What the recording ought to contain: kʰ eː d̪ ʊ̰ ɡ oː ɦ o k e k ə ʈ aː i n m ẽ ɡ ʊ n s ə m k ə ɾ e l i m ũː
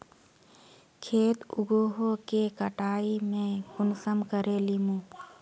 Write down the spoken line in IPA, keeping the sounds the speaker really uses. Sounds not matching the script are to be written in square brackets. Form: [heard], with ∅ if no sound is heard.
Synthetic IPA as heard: kʰ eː [t̪] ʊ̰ ɡ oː ɦ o k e k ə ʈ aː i [∅] m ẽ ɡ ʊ n s ə m k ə ɾ e l i m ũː